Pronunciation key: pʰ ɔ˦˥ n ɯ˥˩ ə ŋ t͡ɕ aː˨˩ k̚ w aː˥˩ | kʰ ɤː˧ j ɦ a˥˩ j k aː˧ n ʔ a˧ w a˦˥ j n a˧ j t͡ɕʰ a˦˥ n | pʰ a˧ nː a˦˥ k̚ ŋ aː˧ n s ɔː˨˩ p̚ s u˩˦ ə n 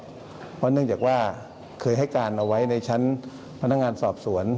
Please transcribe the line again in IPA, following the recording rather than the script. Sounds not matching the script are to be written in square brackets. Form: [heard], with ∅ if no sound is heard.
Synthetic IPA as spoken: pʰ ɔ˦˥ n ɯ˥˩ ə ŋ t͡ɕ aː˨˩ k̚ w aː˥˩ | kʰ ɤː˧ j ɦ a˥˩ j k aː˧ n ʔ a˧ w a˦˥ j n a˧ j t͡ɕʰ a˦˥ n | pʰ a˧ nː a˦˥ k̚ ŋ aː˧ n s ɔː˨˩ p̚ s u˩˦ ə n